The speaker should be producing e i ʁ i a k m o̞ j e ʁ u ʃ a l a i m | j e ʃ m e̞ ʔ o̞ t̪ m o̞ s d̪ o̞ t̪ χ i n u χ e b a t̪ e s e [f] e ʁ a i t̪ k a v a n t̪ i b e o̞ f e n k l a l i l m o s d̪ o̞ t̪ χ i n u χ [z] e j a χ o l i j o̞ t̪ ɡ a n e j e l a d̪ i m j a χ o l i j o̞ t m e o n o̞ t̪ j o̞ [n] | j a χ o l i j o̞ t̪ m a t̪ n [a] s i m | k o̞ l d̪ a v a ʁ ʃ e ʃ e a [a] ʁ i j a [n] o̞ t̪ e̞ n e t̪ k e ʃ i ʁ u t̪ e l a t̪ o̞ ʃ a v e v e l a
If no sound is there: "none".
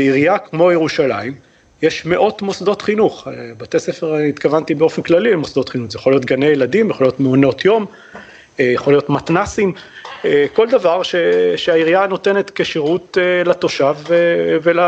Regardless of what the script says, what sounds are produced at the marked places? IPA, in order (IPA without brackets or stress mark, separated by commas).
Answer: f, z, m, a, i, n